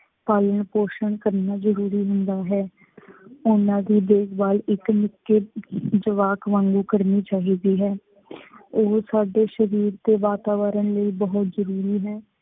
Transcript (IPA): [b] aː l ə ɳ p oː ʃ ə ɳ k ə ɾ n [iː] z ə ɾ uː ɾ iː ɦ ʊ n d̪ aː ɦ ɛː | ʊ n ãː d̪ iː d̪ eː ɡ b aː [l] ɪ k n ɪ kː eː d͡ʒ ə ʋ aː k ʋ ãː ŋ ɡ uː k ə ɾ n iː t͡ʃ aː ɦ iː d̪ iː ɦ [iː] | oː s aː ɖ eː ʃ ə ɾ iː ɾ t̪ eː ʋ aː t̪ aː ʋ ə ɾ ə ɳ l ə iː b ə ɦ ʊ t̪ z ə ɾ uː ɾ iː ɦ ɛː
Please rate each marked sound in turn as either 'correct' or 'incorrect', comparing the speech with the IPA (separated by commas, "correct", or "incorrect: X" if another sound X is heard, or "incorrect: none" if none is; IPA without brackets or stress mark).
incorrect: p, incorrect: aː, correct, incorrect: ɛː